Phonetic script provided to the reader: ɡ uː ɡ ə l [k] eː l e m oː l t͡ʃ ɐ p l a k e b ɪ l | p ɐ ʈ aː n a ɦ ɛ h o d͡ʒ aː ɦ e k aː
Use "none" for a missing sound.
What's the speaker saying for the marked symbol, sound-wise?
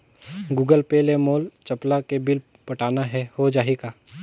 p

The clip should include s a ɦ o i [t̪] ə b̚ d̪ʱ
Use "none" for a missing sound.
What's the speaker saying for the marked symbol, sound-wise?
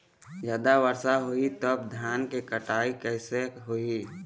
t̪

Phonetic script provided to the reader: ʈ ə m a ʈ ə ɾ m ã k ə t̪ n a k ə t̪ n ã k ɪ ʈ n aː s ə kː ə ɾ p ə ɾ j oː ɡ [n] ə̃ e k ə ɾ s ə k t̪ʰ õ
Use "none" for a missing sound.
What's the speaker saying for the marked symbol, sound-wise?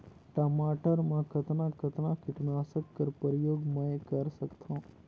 m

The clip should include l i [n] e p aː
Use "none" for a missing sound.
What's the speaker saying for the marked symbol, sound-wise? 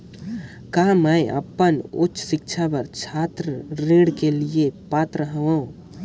none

